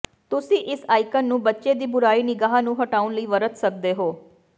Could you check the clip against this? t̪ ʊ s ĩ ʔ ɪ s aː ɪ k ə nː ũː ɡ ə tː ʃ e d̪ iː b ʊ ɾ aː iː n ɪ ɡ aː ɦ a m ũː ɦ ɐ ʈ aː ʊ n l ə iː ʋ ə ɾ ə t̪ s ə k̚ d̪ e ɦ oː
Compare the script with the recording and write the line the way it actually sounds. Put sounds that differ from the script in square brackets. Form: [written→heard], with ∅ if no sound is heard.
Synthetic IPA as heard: t̪ ʊ s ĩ ʔ ɪ s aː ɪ k ə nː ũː [ɡ→b] ə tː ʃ e d̪ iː b ʊ ɾ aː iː n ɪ ɡ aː ɦ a [m→n] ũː ɦ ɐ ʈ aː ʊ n l ə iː ʋ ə ɾ ə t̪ s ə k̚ d̪ e ɦ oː